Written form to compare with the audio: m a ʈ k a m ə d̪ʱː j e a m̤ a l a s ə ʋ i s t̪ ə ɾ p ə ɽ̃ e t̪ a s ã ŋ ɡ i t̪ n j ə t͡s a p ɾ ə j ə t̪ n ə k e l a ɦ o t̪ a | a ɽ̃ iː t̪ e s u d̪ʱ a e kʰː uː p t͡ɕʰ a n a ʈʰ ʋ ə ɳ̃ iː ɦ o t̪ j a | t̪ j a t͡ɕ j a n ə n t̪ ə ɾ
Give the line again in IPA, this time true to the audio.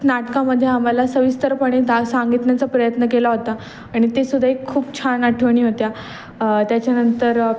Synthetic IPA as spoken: n a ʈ k a m ə d̪ʱː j e a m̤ a l a s ə ʋ i s t̪ ə ɾ p ə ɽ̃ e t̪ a s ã ŋ ɡ i t̪ n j a t͡s a p ɾ ə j ə t̪ n ə k e l a ɦ o t̪ a | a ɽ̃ i t̪ e s u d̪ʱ a e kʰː uː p t͡ɕʰ a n a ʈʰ ʋ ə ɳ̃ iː ɦ o t̪ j a | t̪ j a t͡ɕ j a n ə n t̪ ə ɾ